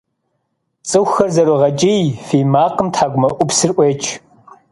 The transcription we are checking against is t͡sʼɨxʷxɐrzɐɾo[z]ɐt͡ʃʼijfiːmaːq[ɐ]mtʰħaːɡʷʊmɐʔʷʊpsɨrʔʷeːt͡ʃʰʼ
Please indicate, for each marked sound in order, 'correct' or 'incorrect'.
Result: incorrect: ʁ, incorrect: ə

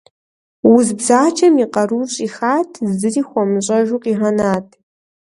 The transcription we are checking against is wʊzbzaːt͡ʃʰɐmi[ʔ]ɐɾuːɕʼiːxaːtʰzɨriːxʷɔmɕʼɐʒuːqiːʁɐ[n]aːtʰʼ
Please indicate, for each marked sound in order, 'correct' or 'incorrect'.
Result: incorrect: q, correct

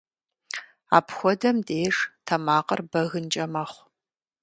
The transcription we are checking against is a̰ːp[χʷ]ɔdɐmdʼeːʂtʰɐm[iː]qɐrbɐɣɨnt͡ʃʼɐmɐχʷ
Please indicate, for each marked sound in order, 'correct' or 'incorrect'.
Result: incorrect: xʷ, incorrect: aː

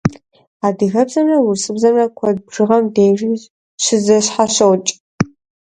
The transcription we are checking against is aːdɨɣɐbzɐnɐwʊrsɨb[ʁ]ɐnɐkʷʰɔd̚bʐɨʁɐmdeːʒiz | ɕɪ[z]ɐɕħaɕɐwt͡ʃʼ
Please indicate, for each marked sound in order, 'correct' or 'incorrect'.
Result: incorrect: z, correct

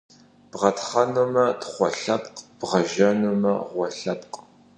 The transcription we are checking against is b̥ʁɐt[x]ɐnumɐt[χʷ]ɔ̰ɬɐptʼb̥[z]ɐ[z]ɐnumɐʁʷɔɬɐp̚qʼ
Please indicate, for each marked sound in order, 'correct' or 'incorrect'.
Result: incorrect: χ, correct, incorrect: ʁ, incorrect: ʒ

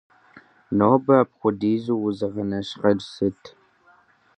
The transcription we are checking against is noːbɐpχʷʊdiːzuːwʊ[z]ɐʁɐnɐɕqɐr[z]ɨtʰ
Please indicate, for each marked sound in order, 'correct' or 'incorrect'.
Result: correct, incorrect: s

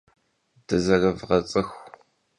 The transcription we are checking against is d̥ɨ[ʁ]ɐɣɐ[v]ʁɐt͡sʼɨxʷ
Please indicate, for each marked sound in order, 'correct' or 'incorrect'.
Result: incorrect: z, correct

